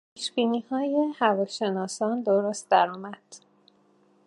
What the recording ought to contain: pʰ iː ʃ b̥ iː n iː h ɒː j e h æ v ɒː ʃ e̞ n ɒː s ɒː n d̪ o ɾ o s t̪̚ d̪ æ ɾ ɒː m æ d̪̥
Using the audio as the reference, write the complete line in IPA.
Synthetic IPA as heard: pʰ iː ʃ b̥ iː n iː h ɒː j e h æ v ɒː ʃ e̞ n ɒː s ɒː n d̪ o ɾ o s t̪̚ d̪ æ ɾ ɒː m æ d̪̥